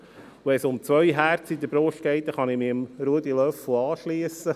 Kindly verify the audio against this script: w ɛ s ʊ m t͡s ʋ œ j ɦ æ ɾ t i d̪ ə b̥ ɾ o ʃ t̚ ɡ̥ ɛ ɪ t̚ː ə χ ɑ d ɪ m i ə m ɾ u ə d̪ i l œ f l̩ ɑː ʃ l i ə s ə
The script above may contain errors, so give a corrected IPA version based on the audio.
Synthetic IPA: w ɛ s ʊ m t͡s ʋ œ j ɦ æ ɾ t͡s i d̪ ə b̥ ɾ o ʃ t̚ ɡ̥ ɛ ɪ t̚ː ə χ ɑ n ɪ m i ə m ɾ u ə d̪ i l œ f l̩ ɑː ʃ l i ə s ə